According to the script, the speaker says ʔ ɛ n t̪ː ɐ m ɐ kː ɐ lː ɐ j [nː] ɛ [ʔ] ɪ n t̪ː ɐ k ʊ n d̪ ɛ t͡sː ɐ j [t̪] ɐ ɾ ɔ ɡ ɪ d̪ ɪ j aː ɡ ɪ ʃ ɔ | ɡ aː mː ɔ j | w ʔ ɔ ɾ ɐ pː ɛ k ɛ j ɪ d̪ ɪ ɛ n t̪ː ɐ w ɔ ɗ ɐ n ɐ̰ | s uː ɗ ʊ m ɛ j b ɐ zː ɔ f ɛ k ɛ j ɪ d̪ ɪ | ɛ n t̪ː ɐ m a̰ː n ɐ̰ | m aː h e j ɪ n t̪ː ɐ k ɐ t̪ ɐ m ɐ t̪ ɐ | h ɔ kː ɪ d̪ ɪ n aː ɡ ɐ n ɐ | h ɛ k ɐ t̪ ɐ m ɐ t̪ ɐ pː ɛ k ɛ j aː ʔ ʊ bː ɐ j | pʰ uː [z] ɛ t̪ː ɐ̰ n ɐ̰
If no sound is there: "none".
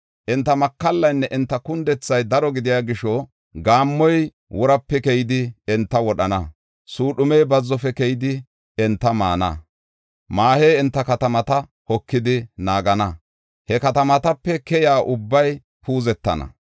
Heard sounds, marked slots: nː, ʔ, d̪, z

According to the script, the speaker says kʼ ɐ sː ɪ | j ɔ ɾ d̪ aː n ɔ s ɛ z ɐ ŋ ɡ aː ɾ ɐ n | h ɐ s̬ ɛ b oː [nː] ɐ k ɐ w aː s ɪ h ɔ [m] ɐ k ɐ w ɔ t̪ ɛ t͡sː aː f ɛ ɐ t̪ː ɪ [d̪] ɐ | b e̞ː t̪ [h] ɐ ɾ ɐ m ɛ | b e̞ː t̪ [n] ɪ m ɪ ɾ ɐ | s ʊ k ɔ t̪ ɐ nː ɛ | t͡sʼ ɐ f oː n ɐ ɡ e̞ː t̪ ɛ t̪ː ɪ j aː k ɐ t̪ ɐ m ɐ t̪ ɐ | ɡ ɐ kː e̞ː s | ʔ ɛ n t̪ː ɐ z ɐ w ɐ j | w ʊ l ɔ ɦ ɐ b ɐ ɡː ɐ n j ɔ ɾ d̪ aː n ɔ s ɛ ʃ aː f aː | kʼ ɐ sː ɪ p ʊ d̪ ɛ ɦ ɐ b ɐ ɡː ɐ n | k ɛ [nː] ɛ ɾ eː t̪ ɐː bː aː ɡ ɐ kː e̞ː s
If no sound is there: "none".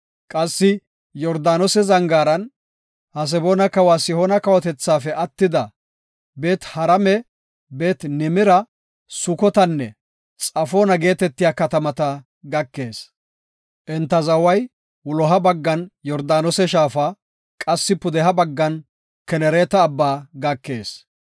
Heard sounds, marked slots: n, n, d̪, h, n, n

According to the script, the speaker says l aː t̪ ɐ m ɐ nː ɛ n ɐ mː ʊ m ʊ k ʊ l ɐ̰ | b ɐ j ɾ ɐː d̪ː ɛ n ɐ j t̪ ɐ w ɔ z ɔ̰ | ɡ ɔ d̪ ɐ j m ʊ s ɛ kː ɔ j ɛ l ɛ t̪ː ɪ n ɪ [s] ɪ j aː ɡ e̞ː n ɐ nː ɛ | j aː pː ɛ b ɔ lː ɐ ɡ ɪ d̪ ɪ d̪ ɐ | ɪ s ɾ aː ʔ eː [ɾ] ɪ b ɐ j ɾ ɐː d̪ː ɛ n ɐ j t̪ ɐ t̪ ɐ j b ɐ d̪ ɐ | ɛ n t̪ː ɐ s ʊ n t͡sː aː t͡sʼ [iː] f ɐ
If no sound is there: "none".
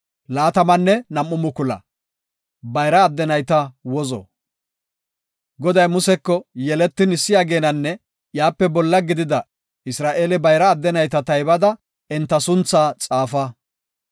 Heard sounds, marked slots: sː, l, aː

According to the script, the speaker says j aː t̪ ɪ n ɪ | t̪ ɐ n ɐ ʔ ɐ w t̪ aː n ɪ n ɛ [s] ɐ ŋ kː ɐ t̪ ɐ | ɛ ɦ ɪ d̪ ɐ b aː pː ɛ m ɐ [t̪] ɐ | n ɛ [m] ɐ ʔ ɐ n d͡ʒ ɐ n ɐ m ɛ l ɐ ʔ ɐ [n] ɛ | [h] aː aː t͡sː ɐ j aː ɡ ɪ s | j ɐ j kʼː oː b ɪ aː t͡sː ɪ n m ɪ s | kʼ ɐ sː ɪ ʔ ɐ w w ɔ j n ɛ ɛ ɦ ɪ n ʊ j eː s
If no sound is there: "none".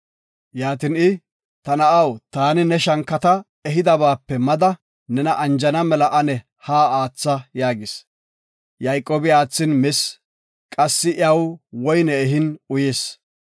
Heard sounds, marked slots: ʃ, d̪, n, n, h

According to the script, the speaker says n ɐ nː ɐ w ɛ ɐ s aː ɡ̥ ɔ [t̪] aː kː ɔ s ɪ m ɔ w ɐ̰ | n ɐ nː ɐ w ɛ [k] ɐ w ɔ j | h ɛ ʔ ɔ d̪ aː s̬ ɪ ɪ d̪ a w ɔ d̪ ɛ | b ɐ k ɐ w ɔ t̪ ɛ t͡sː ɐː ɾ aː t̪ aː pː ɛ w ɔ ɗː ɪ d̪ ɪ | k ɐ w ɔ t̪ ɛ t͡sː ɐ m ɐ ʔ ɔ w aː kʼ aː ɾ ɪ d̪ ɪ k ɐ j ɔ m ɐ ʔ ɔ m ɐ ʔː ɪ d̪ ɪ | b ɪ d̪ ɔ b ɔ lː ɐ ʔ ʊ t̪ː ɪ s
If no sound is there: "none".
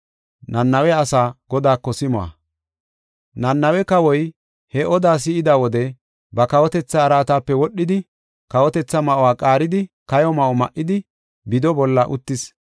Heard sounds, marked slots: d̪, k

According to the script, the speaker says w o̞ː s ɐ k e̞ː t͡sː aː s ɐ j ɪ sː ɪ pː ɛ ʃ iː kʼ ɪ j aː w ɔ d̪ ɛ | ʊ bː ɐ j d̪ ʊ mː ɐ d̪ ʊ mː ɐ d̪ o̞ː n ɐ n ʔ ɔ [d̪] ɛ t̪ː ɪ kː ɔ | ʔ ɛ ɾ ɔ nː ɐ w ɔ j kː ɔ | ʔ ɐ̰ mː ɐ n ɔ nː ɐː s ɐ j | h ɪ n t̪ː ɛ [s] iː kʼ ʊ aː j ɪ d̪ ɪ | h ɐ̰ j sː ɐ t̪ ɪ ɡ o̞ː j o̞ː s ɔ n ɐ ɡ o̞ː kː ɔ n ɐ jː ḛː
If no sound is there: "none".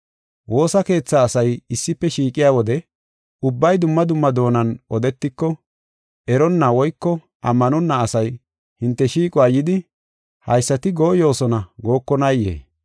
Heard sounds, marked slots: d̪, ʃ

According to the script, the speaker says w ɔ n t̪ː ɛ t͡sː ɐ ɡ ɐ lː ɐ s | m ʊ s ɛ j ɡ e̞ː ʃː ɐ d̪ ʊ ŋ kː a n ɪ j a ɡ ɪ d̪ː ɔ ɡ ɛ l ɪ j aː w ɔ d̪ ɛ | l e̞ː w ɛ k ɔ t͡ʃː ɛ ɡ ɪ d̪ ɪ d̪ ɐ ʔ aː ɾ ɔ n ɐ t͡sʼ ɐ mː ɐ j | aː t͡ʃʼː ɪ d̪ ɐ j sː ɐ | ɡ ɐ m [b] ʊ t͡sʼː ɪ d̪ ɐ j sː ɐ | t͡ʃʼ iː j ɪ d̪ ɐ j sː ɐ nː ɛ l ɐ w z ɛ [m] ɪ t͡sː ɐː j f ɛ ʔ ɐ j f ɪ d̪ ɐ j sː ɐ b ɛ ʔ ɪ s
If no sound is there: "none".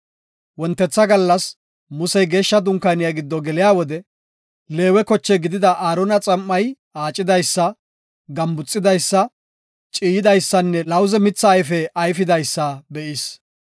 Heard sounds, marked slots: b, m

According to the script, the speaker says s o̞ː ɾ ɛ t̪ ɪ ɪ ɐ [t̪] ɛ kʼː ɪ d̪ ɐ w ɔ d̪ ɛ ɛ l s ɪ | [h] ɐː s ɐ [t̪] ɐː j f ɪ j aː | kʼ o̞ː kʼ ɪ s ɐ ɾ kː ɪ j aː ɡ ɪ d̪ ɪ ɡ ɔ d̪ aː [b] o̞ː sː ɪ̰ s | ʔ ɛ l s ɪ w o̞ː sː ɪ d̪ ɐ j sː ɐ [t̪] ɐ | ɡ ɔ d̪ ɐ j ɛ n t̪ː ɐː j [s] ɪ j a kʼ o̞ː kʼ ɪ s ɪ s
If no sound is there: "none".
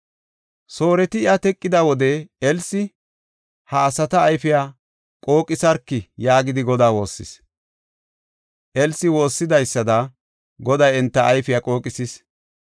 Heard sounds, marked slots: t̪, h, t̪, w, d̪, f

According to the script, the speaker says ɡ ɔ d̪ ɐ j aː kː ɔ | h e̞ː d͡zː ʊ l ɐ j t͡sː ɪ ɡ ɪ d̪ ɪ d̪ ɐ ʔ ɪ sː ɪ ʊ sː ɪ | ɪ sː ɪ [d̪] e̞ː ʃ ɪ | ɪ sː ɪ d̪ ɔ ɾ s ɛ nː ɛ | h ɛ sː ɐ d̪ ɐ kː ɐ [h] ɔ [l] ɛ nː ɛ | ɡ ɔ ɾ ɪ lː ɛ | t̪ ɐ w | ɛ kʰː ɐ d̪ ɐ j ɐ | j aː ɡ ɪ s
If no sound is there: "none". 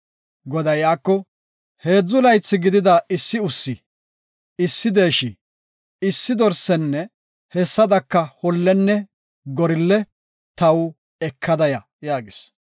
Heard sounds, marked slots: d̪, h, lː

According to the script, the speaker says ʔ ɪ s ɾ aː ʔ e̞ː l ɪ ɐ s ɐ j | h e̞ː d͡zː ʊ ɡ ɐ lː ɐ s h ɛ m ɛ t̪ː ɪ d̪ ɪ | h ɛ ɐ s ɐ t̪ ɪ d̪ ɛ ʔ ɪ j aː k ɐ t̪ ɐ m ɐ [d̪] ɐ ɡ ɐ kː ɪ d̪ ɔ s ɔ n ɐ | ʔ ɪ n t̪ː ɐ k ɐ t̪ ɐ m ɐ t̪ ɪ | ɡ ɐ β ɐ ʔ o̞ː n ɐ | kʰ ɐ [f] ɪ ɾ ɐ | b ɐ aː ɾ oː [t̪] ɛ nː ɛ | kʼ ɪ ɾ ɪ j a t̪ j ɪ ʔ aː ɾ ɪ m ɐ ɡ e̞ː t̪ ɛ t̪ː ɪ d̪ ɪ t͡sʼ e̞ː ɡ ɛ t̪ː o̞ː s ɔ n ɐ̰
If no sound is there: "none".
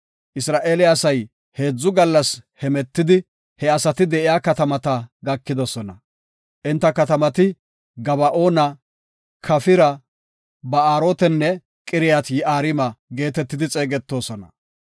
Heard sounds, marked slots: t̪, f, t̪

